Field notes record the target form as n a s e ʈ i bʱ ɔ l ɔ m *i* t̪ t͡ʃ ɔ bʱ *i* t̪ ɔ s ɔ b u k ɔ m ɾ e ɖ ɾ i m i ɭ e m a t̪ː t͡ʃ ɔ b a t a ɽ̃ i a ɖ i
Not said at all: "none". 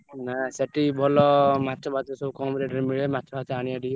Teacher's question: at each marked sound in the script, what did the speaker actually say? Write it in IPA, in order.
a, a

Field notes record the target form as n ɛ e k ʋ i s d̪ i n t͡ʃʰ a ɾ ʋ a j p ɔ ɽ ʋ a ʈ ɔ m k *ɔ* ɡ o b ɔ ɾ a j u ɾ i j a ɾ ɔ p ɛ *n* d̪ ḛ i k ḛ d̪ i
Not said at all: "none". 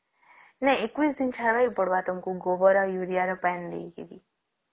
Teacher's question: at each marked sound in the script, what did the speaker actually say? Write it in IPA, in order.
u, n

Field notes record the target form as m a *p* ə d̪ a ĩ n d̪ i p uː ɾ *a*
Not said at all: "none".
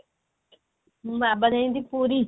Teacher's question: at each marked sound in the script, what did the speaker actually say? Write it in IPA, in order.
b, i

